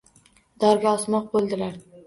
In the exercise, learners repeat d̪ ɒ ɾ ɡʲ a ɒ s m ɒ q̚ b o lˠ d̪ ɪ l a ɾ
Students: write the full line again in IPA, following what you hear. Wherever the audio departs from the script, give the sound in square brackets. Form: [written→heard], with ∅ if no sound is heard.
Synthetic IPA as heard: d̪ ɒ ɾ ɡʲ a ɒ s m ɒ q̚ b o lˠ d̪ ɪ l a ɾ